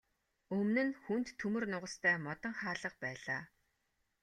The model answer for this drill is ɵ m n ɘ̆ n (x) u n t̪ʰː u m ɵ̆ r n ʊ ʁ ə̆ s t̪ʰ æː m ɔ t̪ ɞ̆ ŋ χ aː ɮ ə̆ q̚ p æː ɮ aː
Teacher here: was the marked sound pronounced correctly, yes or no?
yes